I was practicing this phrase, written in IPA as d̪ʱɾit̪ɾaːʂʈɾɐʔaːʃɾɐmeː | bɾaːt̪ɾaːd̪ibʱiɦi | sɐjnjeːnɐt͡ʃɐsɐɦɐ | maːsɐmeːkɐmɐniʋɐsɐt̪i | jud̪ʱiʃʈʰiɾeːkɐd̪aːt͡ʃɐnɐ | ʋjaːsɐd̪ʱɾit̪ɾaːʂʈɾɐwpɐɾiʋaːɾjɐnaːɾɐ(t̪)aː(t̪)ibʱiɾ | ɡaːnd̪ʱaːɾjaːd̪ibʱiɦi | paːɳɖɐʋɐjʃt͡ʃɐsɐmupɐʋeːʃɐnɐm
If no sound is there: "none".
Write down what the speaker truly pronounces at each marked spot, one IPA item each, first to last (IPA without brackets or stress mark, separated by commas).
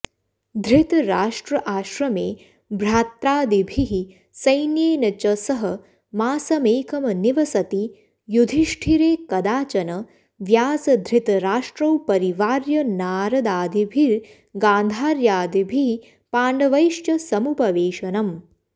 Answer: d̪, d̪